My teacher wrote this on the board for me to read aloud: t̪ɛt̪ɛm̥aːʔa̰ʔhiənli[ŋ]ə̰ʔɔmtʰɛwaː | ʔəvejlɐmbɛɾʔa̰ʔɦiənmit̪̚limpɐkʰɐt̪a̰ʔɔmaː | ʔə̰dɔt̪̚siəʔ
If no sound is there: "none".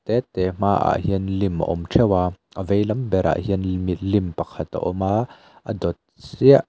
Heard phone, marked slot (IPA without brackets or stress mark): m